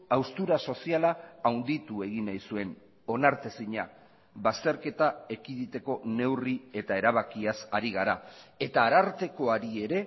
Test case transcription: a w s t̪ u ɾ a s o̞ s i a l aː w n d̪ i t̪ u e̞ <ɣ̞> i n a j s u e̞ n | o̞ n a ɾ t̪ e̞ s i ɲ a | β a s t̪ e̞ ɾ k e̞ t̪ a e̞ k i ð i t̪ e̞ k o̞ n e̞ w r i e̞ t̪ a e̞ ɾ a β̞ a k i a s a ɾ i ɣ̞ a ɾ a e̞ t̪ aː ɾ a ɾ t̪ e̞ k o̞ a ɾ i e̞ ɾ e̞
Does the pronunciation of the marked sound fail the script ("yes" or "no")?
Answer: no